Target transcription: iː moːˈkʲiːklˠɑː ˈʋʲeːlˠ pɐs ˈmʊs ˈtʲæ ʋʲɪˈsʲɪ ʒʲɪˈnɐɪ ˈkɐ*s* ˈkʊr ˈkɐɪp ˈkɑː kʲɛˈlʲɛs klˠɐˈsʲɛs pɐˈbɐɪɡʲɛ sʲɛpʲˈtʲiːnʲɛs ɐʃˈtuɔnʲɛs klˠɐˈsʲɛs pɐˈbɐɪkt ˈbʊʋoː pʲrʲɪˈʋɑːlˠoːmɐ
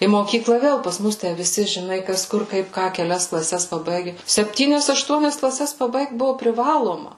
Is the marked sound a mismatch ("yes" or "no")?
no